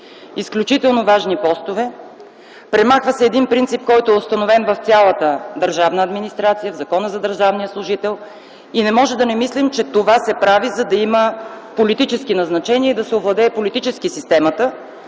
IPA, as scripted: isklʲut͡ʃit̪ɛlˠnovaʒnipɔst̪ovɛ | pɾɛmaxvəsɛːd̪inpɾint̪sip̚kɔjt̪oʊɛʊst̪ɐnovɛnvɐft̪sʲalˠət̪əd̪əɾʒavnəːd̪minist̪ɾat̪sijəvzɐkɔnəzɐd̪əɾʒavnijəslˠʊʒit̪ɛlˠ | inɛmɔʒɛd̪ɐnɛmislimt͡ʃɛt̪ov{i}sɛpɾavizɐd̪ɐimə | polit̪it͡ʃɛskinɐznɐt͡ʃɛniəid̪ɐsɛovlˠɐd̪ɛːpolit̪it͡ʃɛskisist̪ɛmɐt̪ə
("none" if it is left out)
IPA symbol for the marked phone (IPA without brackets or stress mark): a